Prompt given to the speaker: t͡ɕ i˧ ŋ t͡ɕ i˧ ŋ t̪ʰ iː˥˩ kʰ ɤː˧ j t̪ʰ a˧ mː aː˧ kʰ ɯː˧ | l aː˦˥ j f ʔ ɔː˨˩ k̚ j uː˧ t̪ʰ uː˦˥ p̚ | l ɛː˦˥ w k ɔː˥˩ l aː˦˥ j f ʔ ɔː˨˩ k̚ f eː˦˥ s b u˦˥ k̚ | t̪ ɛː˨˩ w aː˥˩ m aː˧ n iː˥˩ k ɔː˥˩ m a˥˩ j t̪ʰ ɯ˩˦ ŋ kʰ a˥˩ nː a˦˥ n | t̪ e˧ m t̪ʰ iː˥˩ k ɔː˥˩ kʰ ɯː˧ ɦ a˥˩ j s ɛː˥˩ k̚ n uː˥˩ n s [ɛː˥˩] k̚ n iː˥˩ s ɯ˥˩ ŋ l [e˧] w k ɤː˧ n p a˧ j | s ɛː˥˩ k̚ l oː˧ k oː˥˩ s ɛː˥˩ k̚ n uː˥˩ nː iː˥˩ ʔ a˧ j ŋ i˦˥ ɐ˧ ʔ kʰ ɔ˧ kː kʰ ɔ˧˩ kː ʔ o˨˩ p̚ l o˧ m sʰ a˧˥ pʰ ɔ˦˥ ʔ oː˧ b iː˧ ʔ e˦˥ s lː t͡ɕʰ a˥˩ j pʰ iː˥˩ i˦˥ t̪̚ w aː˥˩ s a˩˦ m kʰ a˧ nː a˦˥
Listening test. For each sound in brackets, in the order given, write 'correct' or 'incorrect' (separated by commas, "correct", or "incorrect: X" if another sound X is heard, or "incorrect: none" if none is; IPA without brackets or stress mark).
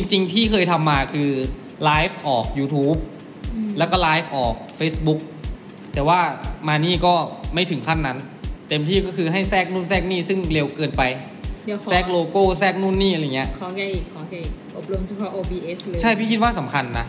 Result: correct, correct